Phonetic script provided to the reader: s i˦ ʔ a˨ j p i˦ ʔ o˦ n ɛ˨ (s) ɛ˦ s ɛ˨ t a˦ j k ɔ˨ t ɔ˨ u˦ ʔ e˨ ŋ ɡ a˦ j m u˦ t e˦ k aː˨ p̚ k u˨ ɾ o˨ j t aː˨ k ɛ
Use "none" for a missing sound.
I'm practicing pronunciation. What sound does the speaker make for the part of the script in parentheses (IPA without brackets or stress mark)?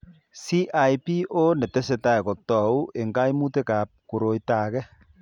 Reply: t